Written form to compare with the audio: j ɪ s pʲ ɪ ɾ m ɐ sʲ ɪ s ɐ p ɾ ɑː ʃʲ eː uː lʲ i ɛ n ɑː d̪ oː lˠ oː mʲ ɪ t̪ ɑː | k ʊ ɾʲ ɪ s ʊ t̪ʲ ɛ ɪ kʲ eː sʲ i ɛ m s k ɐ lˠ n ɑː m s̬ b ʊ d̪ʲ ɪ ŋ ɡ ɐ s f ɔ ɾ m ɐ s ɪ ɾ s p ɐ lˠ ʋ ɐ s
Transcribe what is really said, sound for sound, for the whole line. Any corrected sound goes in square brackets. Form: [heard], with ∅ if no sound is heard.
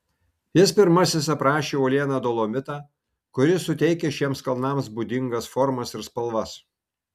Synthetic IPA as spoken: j ɪ s pʲ ɪ ɾ m ɐ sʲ ɪ s ɐ p ɾ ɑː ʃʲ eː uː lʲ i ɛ n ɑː d̪ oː lˠ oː mʲ ɪ t̪ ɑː | k ʊ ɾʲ ɪ s ʊ t̪ʲ ɛ ɪ kʲ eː [ʃʲ] i ɛ m s k ɐ lˠ n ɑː m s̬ b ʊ d̪ʲ ɪ ŋ ɡ ɐ s f ɔ ɾ m ɐ s ɪ ɾ s p ɐ lˠ ʋ ɐ s